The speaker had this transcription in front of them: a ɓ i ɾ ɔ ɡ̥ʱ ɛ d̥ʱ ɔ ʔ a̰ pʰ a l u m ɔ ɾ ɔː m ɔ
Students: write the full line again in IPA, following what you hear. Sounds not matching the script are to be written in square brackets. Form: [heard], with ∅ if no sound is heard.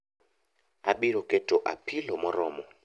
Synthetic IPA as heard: a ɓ i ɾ ɔ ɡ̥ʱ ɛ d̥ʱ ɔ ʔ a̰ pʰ [i] l [ɔ] m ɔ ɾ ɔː m ɔ